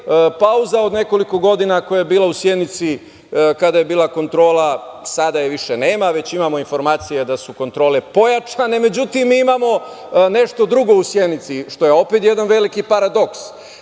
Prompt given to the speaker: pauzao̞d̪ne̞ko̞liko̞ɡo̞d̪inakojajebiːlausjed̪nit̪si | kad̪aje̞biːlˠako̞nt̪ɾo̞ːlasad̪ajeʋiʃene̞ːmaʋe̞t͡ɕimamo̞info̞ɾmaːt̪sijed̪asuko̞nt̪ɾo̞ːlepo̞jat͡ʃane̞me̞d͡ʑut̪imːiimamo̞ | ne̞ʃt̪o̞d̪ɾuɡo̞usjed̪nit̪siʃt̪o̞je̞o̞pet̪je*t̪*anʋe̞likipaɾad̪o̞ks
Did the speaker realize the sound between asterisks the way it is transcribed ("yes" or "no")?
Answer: no